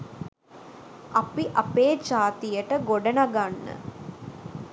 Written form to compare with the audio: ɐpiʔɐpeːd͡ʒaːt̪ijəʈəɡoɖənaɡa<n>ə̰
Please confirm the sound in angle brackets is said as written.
no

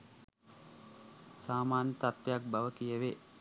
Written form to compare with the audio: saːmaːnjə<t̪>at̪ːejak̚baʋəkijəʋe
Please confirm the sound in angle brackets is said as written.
yes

